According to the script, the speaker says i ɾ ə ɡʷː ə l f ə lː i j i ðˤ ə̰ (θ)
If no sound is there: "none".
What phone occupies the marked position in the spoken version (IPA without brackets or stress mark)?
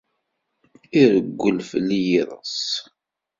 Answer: s